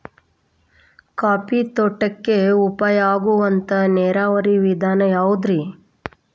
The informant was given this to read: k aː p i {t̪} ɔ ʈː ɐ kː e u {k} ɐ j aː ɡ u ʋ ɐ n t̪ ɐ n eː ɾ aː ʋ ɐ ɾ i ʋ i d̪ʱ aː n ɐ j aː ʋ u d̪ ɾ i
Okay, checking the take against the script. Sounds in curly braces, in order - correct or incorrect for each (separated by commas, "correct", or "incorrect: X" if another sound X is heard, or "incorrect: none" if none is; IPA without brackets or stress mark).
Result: correct, incorrect: p